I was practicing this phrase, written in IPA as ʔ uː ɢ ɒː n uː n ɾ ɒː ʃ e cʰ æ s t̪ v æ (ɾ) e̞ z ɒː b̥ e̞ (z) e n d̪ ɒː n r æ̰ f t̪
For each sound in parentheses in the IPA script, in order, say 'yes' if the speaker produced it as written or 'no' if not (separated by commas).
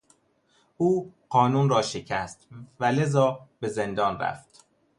no, yes